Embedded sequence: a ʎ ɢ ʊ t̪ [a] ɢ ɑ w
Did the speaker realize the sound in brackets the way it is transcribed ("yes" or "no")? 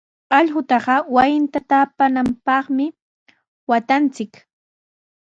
no